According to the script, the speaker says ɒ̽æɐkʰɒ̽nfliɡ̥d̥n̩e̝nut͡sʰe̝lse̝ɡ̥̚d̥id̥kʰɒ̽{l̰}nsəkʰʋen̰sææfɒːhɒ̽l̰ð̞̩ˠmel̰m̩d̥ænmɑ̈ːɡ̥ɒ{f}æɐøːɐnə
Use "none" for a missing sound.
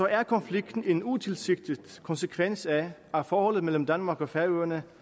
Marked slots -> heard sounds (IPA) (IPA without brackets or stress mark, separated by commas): none, f